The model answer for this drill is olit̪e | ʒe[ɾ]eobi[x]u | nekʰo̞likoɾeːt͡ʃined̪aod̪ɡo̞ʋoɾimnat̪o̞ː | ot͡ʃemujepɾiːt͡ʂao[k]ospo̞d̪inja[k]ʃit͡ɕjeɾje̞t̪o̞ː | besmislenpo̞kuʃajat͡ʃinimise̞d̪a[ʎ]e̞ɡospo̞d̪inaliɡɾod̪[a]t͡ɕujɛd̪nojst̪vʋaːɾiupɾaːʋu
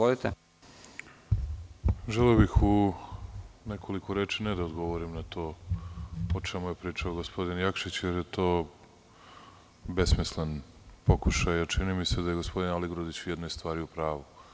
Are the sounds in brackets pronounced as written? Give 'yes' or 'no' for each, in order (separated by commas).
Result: no, yes, no, yes, no, no